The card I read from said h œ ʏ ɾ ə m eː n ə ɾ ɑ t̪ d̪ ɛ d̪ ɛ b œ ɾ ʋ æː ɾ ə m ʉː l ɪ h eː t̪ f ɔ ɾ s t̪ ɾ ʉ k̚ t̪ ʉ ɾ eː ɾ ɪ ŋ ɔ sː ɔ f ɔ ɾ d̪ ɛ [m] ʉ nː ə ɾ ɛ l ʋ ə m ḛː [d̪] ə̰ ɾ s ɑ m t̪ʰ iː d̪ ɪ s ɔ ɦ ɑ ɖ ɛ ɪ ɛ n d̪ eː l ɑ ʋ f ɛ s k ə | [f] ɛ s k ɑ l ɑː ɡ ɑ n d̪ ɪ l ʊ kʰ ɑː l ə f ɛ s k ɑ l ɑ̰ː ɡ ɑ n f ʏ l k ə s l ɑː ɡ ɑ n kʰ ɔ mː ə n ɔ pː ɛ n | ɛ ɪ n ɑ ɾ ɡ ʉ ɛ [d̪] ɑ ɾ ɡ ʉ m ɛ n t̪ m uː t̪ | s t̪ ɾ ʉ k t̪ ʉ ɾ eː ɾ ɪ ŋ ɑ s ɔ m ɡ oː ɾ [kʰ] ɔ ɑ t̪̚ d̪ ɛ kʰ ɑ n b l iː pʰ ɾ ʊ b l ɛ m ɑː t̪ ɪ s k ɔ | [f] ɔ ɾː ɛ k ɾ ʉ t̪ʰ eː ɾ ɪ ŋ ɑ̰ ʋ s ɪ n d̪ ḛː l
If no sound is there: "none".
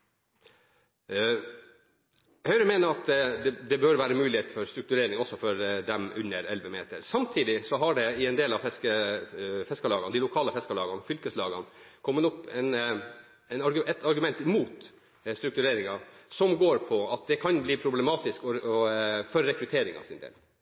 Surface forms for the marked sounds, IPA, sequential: m, t̪, f, t̪, pʰ, f

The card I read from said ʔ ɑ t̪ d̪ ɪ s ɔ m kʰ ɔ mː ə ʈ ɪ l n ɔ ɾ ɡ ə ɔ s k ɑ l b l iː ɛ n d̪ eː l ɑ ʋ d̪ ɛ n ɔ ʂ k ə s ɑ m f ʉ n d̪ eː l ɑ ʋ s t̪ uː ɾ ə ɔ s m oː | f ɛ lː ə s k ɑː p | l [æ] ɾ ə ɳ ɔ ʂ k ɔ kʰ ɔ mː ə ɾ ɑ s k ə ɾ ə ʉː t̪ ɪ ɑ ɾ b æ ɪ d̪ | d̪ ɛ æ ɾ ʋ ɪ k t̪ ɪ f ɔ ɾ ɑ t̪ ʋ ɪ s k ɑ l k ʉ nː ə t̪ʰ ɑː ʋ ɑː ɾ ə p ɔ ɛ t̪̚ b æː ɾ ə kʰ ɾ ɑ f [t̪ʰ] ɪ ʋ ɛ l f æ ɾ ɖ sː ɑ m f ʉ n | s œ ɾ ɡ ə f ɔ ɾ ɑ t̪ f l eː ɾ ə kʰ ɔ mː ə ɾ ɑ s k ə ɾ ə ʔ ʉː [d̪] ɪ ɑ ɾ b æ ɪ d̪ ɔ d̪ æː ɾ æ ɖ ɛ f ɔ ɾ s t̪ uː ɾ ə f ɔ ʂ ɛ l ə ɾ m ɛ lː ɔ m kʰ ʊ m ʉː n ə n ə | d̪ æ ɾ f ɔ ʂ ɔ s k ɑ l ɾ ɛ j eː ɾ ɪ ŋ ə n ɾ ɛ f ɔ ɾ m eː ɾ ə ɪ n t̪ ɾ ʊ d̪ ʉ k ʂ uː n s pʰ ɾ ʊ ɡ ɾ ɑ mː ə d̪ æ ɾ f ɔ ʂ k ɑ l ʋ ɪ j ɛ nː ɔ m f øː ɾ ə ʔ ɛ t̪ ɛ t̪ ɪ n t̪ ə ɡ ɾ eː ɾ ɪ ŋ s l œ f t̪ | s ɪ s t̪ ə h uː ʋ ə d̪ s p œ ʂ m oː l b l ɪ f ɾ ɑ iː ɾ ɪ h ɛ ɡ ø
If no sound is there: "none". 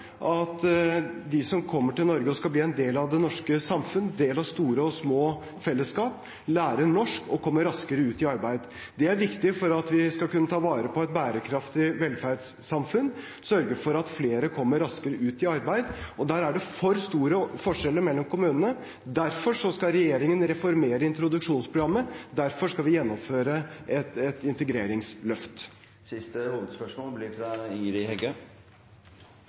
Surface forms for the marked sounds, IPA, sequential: æː, t̪, t̪

